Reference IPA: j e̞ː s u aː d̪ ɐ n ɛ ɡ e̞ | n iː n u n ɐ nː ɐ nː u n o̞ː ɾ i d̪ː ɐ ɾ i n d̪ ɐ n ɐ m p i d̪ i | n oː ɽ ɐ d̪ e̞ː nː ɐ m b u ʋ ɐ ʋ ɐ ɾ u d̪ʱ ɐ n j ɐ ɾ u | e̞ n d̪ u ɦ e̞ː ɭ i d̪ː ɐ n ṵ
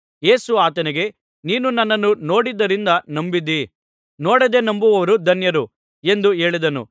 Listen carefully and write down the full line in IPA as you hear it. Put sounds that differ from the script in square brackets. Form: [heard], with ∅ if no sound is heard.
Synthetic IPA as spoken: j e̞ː s u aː [t̪] ɐ n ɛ ɡ e̞ | n iː n u n ɐ nː ɐ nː u n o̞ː [ɽ] i d̪ː ɐ ɾ i n d̪ ɐ n ɐ m [b] i d̪ i | n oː ɽ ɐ d̪ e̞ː [n] ɐ m b u ʋ ɐ ʋ ɐ ɾ u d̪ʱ ɐ n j ɐ ɾ u | e̞ n d̪ u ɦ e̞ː ɭ i [d̪] ɐ n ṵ

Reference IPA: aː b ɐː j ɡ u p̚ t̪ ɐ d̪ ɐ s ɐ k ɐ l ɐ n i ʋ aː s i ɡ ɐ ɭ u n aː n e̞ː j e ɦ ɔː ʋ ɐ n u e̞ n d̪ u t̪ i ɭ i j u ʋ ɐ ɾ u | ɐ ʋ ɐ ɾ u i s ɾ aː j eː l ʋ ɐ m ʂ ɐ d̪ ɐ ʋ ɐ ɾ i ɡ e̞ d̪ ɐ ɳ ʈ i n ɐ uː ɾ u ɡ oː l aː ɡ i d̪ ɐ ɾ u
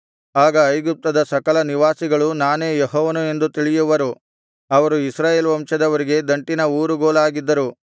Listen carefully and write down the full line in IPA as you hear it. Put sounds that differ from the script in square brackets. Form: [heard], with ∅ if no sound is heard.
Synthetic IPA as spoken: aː [ɡ] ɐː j ɡ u p̚ t̪ ɐ d̪ ɐ s ɐ k ɐ l ɐ n i ʋ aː s i ɡ ɐ ɭ u n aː n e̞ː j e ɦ ɔː ʋ ɐ n u e̞ n d̪ u t̪ i ɭ i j u ʋ ɐ ɾ u | ɐ ʋ ɐ ɾ u i s ɾ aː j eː l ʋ ɐ m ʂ ɐ d̪ ɐ ʋ ɐ ɾ i ɡ e̞ d̪ ɐ ɳ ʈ i n ɐ uː ɾ u ɡ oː l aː ɡ i [d̪ː] ɐ ɾ u

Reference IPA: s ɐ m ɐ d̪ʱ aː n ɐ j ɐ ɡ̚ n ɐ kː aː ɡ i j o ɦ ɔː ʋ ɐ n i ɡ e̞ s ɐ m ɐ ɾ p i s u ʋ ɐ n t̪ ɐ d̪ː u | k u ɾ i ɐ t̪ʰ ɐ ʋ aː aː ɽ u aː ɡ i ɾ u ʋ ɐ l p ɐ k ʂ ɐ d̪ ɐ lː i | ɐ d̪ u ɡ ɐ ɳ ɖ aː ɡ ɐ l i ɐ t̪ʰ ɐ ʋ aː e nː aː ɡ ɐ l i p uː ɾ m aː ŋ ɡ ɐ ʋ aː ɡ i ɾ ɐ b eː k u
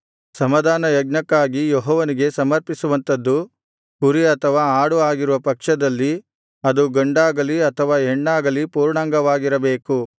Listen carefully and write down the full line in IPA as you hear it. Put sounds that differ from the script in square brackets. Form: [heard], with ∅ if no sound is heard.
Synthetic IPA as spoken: s ɐ m ɐ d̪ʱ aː n ɐ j ɐ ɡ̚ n ɐ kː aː ɡ i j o ɦ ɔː ʋ ɐ n i ɡ e̞ s ɐ m ɐ ɾ p i s u ʋ ɐ n t̪ ɐ d̪ː u | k u ɾ i ɐ t̪ʰ ɐ ʋ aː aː ɽ u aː ɡ i ɾ u ʋ ɐ [∅] p ɐ k ʂ ɐ d̪ ɐ lː i | ɐ d̪ u ɡ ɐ ɳ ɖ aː ɡ ɐ l i ɐ t̪ʰ ɐ ʋ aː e [ɳː] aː ɡ ɐ l i p uː ɾ [ɳ] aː ŋ ɡ ɐ ʋ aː ɡ i ɾ ɐ b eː k u

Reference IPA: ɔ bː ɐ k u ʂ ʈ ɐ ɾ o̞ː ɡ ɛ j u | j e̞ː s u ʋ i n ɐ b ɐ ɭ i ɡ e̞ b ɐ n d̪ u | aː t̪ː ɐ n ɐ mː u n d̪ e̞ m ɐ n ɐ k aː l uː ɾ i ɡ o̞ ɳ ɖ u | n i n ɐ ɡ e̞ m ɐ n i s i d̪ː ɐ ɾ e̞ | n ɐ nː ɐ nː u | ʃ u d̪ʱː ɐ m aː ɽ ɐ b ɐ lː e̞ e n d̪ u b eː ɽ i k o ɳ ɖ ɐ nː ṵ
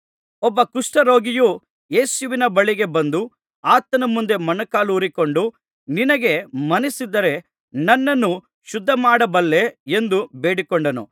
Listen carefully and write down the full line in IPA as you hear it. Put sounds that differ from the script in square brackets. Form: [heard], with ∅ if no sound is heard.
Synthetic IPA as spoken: ɔ bː ɐ k u ʂ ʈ ɐ ɾ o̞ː ɡ [i] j u | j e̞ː s u ʋ i n ɐ b ɐ ɭ i ɡ e̞ b ɐ n d̪ u | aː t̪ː ɐ n ɐ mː u n d̪ e̞ m ɐ n ɐ k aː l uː ɾ i [k] o̞ ɳ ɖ u | n i n ɐ ɡ e̞ m ɐ n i s i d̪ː ɐ ɾ e̞ | n ɐ nː ɐ nː u | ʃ u d̪ʱː ɐ m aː ɽ ɐ b ɐ lː e̞ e n d̪ u b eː ɽ i k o ɳ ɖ ɐ [n] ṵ

